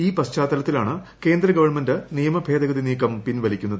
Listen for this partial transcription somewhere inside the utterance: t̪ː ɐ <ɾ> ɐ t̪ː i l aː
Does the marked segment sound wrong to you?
yes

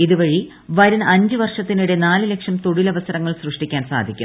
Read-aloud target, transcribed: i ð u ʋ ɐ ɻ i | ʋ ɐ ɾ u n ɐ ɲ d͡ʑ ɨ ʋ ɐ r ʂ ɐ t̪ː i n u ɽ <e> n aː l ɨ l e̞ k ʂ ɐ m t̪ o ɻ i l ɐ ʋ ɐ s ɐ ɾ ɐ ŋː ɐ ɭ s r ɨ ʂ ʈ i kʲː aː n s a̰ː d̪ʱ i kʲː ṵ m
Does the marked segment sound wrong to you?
no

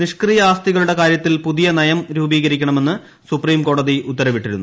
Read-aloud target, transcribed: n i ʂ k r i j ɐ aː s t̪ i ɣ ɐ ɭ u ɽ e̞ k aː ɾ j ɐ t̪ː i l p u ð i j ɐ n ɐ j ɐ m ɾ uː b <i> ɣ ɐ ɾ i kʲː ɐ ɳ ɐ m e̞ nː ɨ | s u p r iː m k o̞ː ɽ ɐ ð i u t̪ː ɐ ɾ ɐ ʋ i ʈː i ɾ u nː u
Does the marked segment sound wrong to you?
yes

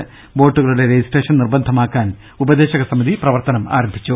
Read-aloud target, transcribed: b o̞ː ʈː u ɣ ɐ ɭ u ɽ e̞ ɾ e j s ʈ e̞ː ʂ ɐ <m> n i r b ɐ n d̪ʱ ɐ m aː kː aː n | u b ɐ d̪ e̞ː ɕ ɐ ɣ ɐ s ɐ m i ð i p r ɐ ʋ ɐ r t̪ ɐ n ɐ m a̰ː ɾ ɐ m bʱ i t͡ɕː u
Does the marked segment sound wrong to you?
yes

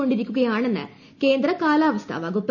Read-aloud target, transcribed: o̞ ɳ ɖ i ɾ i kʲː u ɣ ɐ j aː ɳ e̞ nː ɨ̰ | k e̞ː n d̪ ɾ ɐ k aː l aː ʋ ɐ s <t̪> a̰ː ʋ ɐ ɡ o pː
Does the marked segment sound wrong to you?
yes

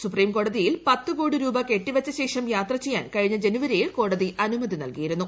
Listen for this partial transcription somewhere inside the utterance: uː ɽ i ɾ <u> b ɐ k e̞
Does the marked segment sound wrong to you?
yes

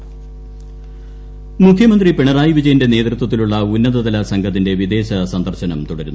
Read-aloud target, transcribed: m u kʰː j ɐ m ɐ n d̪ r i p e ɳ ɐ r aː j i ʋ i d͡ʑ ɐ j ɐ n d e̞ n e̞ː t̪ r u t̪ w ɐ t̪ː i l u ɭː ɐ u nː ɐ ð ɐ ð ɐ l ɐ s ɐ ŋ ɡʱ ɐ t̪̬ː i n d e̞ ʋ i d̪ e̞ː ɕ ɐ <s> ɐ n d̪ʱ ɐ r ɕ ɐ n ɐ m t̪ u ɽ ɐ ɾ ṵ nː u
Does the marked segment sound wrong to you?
no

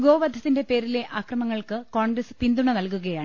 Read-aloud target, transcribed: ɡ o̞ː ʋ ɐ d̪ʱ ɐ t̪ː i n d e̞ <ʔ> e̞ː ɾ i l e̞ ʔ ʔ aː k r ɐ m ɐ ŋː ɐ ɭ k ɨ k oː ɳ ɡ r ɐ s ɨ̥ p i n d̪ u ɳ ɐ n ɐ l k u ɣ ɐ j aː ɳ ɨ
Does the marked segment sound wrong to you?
yes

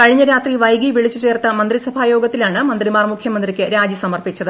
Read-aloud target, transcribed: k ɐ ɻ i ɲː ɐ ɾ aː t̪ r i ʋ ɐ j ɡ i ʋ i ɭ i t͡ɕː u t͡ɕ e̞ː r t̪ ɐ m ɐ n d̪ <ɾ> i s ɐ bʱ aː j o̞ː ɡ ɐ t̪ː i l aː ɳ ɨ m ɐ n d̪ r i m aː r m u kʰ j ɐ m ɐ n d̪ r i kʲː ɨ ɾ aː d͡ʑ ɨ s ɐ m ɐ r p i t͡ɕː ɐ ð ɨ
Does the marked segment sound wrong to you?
yes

